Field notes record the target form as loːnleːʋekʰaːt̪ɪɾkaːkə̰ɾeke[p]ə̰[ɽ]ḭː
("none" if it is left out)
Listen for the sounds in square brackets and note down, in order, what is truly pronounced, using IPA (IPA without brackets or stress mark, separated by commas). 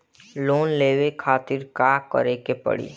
p, ɽ